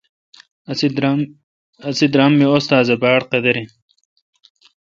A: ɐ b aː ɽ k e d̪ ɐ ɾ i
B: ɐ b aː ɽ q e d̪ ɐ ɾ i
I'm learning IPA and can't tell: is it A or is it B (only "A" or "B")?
B